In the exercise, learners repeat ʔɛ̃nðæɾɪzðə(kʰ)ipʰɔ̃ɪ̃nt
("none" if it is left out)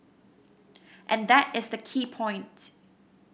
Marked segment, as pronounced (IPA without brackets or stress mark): kʰ